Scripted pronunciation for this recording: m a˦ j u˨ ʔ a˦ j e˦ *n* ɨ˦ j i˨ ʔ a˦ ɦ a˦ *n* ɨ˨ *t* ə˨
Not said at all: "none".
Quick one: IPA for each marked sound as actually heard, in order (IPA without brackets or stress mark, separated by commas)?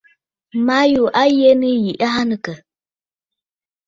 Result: n, n, k